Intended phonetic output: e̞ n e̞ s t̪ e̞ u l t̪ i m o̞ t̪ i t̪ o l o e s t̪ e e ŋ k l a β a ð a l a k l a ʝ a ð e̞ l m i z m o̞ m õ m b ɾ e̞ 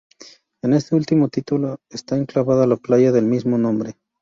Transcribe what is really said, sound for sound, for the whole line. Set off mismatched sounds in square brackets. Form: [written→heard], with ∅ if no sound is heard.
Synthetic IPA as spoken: e̞ n e̞ s t̪ e̞ u l t̪ i m o̞ t̪ i t̪ [o→u] l o e s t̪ [e→a] e ŋ k l a β a ð a l a [k→p] l a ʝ a ð e̞ l m i z m o̞ [m→n] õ m b ɾ e̞